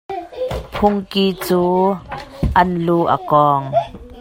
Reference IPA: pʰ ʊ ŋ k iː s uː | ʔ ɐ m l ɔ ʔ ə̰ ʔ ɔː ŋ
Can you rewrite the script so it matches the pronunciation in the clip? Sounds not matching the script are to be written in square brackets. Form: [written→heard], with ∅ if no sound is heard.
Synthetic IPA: pʰ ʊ ŋ k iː [s→t͡s] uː | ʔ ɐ [m→n] l [ɔ→u] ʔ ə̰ [ʔ→k] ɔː ŋ